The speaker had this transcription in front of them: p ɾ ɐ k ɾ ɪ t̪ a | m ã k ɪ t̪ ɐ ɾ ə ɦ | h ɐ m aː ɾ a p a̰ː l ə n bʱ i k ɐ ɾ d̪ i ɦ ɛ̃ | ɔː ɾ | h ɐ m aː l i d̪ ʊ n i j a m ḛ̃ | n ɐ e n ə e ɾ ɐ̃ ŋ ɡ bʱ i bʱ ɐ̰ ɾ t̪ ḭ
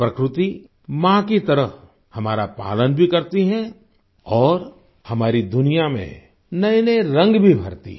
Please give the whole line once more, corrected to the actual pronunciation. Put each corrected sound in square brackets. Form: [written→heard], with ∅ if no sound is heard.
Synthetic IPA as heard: p ɾ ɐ k ɾ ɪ t̪ [a→i] | m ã k [ɪ→i] t̪ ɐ ɾ ə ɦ | h ɐ m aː ɾ a p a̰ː l ə n bʱ i k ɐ ɾ [d̪→t̪] i ɦ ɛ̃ | ɔː ɾ | h ɐ m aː [l→ɾ] i d̪ ʊ n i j a m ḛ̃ | n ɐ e n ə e ɾ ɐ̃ ŋ ɡ bʱ i bʱ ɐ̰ ɾ t̪ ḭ